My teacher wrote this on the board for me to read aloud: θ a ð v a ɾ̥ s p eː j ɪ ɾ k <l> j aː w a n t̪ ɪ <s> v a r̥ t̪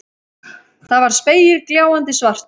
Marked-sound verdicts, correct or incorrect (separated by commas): correct, correct